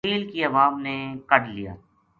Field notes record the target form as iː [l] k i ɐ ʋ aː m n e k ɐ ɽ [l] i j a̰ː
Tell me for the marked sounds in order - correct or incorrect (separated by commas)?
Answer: correct, correct